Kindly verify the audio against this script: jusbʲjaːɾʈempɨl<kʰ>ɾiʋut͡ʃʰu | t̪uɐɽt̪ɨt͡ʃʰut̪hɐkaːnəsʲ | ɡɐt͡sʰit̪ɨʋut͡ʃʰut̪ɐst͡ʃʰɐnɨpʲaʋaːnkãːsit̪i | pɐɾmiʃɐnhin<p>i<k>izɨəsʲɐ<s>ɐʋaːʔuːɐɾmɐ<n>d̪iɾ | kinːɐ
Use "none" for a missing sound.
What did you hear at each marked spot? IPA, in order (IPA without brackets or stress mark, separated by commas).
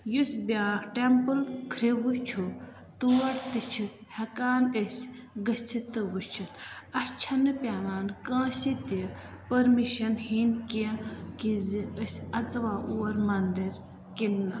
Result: kʰ, k, k, t͡s, n